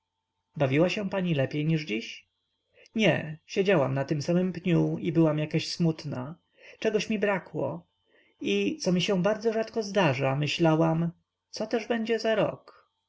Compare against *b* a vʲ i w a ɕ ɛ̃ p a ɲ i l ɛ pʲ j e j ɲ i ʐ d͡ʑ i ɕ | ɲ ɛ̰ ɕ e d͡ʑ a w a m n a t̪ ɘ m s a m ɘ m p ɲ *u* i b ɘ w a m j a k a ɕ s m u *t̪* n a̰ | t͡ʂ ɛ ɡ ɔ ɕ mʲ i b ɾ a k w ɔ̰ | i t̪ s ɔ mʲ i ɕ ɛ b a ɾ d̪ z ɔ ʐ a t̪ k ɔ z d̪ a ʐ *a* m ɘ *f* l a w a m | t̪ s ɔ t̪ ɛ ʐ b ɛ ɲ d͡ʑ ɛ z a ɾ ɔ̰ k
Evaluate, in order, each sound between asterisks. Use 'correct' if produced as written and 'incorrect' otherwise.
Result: correct, correct, correct, correct, incorrect

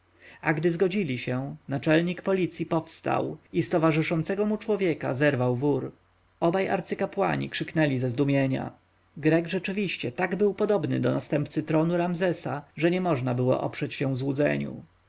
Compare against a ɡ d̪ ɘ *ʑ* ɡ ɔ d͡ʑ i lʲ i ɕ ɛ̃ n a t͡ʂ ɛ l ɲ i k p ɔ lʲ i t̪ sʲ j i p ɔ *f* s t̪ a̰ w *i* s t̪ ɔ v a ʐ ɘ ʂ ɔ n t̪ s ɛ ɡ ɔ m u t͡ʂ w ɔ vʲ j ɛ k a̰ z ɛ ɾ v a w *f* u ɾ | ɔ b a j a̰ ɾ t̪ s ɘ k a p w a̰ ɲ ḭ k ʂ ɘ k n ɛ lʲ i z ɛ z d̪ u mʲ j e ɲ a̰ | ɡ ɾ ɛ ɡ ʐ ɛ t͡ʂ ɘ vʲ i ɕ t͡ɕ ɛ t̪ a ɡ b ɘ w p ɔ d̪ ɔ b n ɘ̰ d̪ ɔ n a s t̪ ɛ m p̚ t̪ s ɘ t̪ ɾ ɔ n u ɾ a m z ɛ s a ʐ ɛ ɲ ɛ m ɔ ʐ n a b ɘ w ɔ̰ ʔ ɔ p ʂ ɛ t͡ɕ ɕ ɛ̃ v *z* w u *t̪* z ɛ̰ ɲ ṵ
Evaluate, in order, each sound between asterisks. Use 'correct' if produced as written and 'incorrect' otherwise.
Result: incorrect, correct, correct, incorrect, correct, incorrect

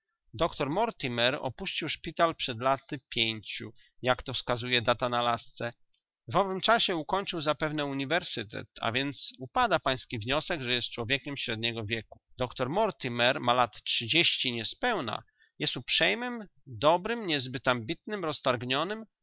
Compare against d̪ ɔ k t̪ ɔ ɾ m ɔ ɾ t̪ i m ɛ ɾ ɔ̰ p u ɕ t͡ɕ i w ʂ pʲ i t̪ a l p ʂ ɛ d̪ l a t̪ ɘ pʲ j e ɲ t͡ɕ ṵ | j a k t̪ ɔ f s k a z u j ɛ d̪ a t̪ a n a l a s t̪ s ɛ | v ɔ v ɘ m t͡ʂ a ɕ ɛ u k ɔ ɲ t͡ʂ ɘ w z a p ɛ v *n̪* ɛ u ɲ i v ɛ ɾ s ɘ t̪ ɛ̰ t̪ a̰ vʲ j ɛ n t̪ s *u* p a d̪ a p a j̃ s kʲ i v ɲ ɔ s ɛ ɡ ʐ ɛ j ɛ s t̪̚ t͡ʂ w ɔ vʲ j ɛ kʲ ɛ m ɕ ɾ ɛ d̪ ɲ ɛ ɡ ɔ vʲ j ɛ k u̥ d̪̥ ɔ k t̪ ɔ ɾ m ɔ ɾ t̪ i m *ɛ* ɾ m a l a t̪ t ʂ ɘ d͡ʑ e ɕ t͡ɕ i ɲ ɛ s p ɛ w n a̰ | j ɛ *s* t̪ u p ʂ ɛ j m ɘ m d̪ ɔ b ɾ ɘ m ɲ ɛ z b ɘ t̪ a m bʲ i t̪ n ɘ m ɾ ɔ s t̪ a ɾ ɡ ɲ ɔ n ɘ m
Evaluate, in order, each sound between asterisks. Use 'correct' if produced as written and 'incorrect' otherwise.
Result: correct, correct, correct, correct

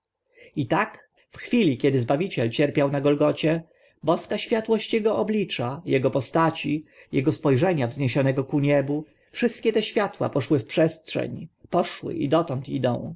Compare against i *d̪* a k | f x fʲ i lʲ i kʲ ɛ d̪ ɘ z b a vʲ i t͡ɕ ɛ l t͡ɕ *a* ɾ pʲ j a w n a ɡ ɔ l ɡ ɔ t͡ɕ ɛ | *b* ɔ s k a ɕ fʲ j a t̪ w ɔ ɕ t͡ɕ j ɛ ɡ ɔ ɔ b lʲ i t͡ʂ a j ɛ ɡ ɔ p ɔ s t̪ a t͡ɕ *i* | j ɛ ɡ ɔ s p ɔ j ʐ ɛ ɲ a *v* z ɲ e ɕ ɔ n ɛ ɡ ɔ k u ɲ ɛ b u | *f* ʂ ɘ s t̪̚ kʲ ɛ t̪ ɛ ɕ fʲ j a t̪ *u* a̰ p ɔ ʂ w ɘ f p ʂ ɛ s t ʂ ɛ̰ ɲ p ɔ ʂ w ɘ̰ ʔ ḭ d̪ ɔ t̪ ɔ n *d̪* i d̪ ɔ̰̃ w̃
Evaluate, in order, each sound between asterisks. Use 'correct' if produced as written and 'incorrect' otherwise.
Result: incorrect, incorrect, correct, correct, correct, correct, incorrect, incorrect

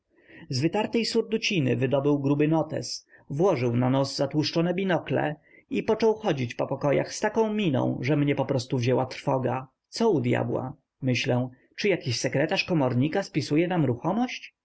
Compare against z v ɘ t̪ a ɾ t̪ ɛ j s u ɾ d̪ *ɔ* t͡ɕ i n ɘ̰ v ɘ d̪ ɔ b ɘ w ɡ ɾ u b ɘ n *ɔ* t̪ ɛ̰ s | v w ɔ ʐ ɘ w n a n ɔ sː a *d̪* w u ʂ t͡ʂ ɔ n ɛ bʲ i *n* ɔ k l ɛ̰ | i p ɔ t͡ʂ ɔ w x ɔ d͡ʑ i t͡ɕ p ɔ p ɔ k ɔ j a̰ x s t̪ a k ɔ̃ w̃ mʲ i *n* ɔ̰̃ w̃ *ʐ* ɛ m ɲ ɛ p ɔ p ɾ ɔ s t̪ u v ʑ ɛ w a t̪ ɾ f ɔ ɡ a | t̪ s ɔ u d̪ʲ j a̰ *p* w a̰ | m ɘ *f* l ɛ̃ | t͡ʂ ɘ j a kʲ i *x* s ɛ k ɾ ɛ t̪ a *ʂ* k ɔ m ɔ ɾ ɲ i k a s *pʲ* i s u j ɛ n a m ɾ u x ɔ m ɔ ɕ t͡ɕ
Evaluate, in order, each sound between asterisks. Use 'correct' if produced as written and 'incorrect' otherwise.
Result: incorrect, correct, incorrect, correct, correct, correct, incorrect, incorrect, incorrect, correct, correct

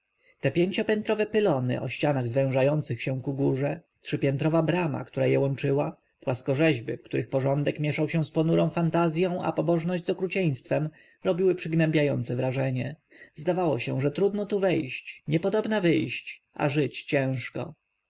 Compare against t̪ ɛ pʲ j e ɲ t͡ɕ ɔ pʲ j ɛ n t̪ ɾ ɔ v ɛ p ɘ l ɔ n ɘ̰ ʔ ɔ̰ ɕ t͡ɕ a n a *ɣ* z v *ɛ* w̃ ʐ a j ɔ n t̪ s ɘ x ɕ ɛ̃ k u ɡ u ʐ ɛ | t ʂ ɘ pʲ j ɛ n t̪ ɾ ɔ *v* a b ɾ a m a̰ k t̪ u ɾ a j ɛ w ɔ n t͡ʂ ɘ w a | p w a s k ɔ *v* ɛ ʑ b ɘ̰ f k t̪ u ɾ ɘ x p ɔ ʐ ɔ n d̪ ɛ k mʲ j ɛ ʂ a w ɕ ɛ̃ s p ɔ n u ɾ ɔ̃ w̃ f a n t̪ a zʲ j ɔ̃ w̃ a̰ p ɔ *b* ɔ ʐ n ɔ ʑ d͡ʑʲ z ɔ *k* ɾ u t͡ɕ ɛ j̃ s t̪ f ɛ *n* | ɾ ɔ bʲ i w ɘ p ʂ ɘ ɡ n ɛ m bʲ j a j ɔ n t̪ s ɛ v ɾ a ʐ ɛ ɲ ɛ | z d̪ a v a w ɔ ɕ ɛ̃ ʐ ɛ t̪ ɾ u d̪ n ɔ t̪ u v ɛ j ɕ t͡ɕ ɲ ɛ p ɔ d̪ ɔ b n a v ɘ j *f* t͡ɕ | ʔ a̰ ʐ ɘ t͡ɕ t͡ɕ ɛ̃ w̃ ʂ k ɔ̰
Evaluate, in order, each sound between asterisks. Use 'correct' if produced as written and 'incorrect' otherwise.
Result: correct, incorrect, correct, incorrect, correct, correct, incorrect, incorrect

